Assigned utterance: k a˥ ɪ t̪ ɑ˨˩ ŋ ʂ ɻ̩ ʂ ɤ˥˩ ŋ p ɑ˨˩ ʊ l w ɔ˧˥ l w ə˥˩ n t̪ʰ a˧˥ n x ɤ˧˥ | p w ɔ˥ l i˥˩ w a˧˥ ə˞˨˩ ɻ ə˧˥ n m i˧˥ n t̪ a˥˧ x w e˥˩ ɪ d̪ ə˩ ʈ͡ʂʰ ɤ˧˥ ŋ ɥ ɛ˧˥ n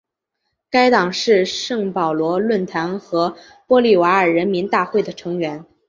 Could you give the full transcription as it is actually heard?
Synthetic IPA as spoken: k a˥ ɪ t̪ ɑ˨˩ ŋ ʂ ɻ̩ ʂ ɤ˥˩ ŋ p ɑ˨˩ ʊ l w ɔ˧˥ l w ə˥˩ n t̪ʰ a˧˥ n x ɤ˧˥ | p w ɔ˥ l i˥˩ w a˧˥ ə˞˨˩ ɻ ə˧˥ n m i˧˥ n t̪ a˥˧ x w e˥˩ ɪ d̪ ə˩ ʈ͡ʂʰ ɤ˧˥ ŋ ɥ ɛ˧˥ n